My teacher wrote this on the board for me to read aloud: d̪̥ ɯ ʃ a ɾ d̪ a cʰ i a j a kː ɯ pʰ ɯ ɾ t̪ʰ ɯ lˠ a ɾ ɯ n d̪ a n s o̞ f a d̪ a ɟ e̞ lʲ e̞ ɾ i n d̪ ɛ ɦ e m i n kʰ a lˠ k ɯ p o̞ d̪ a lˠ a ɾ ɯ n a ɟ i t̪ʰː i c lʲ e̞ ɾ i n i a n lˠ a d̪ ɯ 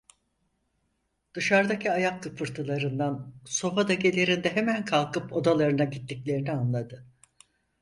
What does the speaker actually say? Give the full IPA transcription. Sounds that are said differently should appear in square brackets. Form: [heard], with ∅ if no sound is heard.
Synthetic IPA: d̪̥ ɯ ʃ a ɾ d̪ a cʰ i a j a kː ɯ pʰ ɯ ɾ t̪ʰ ɯ lˠ a ɾ ɯ n d̪ a n s o̞ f a d̪ a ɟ e̞ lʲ e̞ ɾ i n d̪ ɛ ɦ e m [æ] n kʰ a lˠ k ɯ p o̞ d̪ a lˠ a ɾ ɯ n a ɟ i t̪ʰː i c lʲ e̞ ɾ i n i a n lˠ a d̪ ɯ